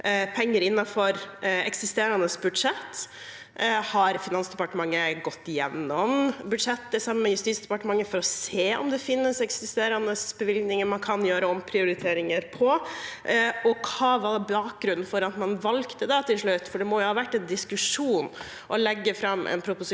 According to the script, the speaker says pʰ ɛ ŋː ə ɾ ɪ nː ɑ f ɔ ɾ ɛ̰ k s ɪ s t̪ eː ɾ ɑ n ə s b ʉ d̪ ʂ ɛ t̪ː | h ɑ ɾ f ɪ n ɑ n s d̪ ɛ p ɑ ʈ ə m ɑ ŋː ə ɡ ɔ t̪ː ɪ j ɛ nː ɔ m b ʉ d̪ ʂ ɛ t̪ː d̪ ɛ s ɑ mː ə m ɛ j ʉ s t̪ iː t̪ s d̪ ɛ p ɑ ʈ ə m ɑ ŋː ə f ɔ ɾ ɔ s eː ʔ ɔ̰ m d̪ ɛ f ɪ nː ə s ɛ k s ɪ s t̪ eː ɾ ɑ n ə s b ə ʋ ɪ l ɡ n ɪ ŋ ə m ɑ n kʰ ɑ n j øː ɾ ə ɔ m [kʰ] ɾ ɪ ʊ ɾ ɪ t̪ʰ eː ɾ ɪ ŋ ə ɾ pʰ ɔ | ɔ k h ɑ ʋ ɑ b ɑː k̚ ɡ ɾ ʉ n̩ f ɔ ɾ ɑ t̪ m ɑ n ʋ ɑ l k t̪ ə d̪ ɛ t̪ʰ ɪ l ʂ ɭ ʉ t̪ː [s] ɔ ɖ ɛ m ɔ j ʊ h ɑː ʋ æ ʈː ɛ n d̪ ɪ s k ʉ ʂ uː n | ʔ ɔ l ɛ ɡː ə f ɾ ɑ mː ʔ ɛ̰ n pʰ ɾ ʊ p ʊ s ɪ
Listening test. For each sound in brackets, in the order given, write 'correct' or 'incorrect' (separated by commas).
incorrect, incorrect